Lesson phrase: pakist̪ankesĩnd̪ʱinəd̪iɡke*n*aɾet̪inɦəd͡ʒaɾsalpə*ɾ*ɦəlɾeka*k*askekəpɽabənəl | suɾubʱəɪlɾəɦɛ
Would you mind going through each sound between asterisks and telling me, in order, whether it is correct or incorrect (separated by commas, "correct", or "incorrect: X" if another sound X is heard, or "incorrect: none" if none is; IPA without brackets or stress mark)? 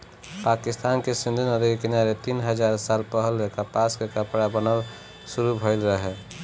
correct, incorrect: none, incorrect: p